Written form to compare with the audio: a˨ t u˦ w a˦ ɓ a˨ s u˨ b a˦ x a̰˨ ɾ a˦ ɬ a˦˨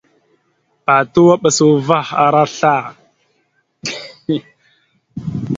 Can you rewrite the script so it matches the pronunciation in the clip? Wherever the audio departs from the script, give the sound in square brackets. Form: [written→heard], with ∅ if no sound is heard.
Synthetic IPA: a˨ t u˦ w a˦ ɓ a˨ s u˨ [b→v] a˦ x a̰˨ ɾ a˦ ɬ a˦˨

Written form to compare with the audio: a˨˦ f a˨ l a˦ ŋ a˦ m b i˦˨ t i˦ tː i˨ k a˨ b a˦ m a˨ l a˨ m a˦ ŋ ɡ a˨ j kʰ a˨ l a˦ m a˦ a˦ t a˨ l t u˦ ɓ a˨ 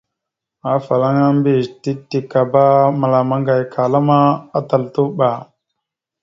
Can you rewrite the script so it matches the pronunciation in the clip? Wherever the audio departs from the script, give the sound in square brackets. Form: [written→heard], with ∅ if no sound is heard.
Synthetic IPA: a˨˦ f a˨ l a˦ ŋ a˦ m b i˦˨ t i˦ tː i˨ k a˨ b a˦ m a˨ l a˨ m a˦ ŋ ɡ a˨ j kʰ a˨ l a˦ m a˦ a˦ t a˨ l t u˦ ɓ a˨

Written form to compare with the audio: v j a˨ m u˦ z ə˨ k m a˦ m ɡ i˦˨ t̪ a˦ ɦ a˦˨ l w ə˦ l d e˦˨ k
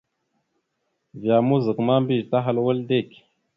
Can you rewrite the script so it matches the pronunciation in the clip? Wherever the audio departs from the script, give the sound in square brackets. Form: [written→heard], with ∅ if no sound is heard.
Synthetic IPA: v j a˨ m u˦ z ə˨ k m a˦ m [ɡ→b] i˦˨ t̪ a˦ ɦ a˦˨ l w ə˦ l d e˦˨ k

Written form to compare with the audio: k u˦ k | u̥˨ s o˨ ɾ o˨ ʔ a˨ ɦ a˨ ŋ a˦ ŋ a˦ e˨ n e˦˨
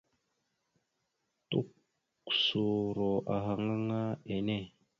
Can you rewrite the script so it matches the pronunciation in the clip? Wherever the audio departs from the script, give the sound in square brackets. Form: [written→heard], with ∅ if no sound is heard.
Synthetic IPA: [k→t] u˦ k | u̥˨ s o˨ ɾ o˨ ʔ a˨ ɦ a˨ ŋ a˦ ŋ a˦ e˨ n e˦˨

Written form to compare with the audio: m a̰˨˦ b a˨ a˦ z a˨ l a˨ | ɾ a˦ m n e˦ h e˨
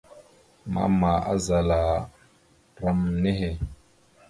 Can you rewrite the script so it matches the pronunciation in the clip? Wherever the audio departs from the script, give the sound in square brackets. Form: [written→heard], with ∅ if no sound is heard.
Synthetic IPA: m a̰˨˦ [b→m] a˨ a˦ z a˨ l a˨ | ɾ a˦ m n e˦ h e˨

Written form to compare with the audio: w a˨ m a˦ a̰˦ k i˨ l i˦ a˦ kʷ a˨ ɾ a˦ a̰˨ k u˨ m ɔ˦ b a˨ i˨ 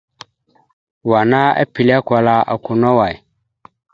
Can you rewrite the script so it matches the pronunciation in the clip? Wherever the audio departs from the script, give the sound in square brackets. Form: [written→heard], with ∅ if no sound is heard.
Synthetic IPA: w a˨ [m→n] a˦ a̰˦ [k→p] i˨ l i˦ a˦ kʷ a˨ [ɾ→l] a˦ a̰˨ k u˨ [m→n] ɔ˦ [b→w] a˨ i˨

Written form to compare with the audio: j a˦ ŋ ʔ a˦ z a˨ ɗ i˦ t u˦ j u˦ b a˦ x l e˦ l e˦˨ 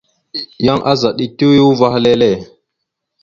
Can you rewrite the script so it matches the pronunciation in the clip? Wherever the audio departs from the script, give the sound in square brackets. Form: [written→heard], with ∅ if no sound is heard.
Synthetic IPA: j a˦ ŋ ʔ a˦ z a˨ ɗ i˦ t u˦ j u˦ [b→v] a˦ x l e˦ l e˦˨

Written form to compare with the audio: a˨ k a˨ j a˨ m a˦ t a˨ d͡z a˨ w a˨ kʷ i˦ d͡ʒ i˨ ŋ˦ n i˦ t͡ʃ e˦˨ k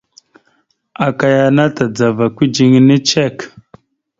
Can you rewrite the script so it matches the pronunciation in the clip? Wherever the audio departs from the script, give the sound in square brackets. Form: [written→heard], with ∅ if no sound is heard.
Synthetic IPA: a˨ k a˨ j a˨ [m→n] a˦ t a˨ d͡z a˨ [w→v] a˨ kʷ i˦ d͡ʒ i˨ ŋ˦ n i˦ t͡ʃ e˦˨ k

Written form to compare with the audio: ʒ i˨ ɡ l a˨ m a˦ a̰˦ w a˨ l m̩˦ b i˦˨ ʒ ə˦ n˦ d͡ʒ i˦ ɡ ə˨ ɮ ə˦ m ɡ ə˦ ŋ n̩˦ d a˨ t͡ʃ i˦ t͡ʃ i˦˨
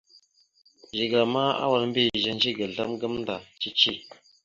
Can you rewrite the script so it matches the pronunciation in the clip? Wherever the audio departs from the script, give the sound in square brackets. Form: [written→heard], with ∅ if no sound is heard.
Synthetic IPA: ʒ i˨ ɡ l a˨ m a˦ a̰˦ w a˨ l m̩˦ b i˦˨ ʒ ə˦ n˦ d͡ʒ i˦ ɡ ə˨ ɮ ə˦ m ɡ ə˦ [ŋ→m] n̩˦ d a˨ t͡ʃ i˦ t͡ʃ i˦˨

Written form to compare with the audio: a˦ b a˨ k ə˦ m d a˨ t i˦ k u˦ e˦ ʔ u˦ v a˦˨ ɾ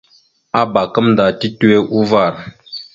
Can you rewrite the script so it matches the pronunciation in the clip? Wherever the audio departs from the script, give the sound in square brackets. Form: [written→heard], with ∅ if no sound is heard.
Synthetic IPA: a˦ b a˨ k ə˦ m d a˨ t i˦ [k→t] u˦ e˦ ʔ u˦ v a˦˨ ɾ

